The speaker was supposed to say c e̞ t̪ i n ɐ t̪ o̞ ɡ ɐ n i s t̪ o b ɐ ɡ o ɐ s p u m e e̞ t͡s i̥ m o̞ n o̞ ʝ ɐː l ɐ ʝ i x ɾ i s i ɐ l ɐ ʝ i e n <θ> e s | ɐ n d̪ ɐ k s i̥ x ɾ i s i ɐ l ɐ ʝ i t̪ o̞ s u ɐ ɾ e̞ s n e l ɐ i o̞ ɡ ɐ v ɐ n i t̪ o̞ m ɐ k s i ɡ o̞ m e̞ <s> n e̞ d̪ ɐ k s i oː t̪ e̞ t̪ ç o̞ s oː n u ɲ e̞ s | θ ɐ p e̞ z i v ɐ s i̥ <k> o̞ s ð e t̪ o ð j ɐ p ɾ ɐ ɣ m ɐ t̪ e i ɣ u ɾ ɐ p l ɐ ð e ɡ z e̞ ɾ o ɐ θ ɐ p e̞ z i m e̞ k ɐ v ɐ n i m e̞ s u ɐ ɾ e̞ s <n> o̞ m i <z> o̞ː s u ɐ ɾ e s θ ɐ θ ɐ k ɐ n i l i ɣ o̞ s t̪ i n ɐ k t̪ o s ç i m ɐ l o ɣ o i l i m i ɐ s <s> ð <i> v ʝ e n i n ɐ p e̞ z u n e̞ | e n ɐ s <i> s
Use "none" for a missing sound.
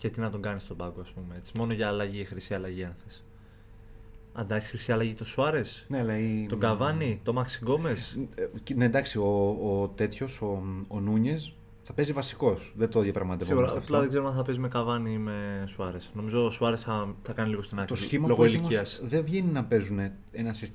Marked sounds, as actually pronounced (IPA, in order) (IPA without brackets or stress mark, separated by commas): θ, s, k, n, z, s, e, i